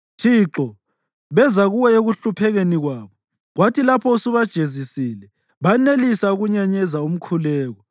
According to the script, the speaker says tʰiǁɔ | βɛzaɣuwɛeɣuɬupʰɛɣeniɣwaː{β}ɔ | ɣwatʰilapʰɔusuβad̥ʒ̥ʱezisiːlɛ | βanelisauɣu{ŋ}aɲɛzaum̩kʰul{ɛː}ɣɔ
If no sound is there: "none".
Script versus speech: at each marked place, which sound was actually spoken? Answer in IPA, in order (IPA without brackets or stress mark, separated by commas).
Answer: β, ɲ, ɛː